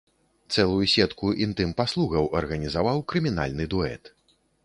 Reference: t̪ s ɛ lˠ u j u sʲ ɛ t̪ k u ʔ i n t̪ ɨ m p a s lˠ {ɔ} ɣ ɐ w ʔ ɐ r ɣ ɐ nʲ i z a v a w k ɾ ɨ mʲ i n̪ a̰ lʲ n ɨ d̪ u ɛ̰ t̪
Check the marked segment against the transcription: incorrect: u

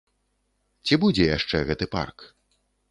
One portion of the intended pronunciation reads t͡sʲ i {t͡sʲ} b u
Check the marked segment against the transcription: incorrect: none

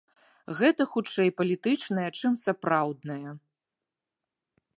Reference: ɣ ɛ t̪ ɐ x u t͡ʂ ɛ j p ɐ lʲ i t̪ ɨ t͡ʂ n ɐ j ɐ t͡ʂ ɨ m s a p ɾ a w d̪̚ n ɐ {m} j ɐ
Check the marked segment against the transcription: incorrect: none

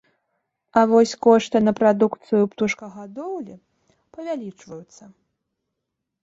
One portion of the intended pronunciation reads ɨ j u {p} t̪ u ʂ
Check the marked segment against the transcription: correct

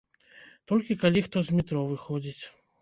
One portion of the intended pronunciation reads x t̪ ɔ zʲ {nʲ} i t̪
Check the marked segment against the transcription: incorrect: mʲ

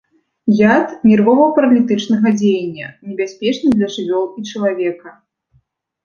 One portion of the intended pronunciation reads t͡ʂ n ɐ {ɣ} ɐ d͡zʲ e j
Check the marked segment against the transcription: correct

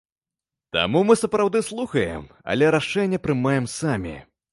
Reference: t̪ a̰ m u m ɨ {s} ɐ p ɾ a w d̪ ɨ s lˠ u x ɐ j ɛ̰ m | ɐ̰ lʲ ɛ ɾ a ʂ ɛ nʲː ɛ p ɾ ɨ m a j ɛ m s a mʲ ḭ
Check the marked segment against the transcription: correct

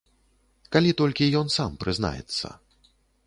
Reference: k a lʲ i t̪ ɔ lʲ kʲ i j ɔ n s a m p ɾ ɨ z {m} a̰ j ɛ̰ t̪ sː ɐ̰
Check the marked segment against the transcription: incorrect: n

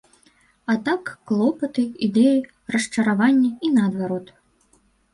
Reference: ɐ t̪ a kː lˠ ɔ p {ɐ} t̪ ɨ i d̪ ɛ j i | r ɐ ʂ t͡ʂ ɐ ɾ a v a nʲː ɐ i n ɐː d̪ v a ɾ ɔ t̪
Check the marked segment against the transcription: correct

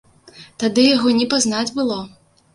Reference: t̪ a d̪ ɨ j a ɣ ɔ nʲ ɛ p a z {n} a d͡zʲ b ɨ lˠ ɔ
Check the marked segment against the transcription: correct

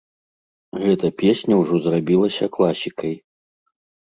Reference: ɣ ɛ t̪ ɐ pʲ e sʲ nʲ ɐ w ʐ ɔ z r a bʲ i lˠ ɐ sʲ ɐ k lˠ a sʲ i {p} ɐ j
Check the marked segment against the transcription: incorrect: k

